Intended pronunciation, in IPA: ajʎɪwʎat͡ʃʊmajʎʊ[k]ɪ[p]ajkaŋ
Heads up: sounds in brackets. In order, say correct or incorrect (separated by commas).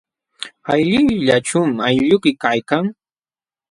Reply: correct, incorrect